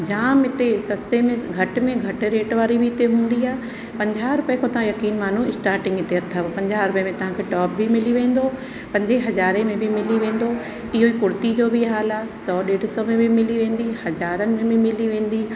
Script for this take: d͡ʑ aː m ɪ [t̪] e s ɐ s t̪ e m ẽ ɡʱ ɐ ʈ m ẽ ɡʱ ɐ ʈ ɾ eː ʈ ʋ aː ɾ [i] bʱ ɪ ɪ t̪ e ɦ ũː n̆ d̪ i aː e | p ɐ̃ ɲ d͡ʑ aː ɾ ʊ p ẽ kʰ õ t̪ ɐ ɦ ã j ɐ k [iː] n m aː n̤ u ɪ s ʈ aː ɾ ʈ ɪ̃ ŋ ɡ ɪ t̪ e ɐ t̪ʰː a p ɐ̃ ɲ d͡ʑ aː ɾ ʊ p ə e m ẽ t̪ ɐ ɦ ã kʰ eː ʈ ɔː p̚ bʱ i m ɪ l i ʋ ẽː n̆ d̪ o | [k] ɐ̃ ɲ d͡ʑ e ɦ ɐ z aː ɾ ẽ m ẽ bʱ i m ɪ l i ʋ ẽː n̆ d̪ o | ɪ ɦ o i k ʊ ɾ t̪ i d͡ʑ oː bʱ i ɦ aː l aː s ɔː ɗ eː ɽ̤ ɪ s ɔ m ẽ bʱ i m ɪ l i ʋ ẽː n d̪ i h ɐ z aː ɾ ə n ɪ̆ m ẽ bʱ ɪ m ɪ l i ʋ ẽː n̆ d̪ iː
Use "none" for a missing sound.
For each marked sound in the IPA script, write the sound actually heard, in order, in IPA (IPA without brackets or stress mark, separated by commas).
t̪, i, iː, p